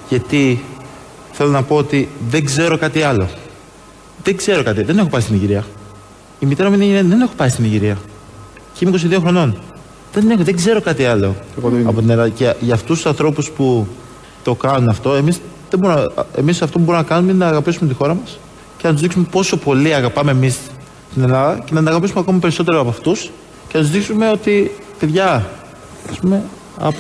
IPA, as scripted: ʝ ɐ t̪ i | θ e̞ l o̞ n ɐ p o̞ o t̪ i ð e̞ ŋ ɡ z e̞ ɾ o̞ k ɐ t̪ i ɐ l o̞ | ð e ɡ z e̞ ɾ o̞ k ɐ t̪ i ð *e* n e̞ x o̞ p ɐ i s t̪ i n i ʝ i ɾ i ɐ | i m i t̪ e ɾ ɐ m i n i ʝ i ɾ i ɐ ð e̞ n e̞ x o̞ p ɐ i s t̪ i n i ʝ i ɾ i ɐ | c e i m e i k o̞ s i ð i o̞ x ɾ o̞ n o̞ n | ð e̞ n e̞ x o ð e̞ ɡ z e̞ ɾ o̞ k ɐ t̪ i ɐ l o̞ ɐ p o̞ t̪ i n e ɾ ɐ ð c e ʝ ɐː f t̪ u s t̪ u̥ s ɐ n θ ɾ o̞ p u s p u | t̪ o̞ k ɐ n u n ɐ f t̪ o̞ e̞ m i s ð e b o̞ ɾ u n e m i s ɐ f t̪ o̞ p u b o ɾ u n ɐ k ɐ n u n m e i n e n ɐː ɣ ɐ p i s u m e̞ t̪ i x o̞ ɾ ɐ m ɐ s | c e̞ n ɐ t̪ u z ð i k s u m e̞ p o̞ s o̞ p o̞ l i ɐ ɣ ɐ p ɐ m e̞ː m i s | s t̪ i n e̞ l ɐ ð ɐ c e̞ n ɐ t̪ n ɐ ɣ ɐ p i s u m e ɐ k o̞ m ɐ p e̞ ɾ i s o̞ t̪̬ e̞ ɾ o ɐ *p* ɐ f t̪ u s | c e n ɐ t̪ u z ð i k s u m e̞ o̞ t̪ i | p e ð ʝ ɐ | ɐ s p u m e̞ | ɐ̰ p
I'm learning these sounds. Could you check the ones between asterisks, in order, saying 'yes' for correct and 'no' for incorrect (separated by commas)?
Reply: yes, yes